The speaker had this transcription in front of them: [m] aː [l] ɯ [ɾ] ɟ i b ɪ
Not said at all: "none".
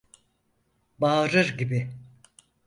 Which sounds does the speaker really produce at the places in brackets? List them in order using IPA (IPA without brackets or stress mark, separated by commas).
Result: b, ɾ, ɾ